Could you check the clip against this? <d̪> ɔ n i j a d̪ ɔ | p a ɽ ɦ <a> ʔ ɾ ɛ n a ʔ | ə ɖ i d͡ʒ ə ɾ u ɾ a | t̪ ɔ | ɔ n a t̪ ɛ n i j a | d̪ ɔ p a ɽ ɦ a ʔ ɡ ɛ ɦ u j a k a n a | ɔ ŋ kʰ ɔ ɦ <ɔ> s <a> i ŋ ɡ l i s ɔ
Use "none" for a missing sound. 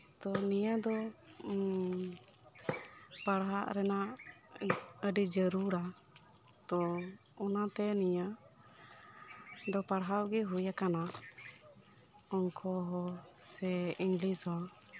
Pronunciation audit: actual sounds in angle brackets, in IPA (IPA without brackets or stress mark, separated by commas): t̪, a, ɔ, ɛ